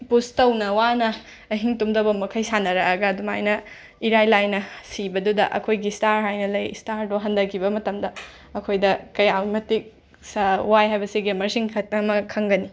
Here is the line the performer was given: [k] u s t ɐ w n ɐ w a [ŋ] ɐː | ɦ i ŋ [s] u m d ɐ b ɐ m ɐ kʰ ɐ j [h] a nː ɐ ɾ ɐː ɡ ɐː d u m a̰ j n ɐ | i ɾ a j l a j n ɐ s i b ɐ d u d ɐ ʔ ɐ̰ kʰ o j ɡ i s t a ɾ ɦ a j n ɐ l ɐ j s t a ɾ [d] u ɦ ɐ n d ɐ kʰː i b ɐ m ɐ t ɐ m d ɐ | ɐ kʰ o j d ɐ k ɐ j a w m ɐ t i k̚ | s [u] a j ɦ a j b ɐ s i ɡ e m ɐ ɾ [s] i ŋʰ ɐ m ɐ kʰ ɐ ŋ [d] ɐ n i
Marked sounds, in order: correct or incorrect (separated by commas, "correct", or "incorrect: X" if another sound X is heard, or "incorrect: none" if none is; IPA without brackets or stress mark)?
incorrect: p, incorrect: n, incorrect: t, incorrect: s, correct, incorrect: w, correct, incorrect: ɡ